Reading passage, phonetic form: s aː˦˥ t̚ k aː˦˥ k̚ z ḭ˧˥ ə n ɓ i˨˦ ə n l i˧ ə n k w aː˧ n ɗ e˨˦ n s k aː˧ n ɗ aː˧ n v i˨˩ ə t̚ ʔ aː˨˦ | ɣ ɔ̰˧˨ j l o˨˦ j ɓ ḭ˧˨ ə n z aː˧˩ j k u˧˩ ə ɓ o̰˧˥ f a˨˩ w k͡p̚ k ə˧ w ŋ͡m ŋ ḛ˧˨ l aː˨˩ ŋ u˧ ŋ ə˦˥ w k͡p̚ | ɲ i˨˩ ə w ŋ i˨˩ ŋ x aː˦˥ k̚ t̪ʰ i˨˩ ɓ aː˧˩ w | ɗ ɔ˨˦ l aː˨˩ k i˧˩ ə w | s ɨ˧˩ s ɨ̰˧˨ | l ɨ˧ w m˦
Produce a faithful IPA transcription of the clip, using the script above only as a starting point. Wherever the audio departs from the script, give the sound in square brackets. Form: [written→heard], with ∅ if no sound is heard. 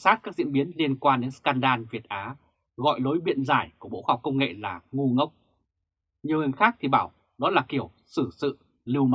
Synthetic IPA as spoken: s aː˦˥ t̚ k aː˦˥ k̚ z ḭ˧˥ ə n ɓ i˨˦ ə n l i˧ ə n k w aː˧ n ɗ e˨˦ n s k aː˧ n ɗ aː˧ n v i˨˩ ə t̚ ʔ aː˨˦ | ɣ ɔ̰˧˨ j l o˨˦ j ɓ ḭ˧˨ ə n z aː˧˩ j k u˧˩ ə ɓ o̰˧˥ [f→h] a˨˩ w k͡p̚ k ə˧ w ŋ͡m ŋ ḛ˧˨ l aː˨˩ ŋ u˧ ŋ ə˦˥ w k͡p̚ | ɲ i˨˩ ə w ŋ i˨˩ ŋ x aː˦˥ k̚ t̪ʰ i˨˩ ɓ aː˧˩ w | ɗ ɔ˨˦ l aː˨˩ k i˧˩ ə w | s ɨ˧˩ s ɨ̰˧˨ | l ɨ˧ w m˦